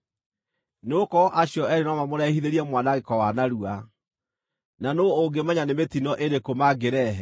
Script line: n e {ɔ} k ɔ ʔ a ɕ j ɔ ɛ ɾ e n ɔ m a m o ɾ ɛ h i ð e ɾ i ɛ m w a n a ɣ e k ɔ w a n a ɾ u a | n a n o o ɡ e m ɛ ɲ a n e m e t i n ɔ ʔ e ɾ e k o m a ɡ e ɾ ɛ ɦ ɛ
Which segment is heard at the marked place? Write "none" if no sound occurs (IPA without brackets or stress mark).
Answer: o